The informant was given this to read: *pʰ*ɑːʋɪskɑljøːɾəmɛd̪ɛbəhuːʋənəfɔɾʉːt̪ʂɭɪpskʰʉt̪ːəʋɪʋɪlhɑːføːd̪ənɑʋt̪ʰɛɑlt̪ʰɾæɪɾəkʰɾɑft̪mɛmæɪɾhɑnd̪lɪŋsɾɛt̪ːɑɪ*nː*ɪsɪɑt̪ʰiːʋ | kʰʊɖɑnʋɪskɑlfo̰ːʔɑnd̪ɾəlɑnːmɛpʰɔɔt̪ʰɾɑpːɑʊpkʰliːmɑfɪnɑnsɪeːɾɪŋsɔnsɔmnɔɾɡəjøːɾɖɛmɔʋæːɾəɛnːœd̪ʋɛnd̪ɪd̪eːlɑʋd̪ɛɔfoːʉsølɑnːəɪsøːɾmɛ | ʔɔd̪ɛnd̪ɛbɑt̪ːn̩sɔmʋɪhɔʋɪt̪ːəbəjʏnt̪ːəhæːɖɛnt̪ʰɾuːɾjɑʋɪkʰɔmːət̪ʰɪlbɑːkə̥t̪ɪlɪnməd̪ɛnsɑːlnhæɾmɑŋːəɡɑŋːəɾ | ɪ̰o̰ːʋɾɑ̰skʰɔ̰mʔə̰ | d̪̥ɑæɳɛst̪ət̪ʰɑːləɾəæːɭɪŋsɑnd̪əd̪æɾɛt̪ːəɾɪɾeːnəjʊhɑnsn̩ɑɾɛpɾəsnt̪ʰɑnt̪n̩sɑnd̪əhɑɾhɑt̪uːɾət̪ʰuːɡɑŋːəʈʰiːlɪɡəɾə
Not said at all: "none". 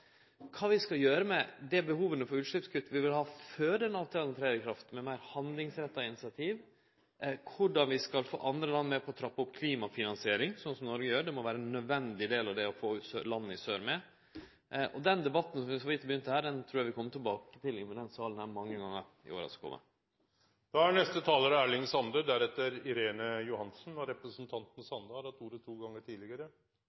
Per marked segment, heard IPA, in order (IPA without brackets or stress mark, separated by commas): kʰ, n